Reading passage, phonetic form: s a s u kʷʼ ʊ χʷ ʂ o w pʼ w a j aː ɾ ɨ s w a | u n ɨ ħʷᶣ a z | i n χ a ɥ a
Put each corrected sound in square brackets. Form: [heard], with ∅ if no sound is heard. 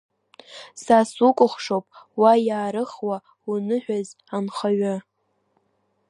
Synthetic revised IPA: s a s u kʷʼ ʊ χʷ ʂ o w pʼ w a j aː ɾ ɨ [χ] w a | u n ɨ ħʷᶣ a z | [a] n χ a ɥ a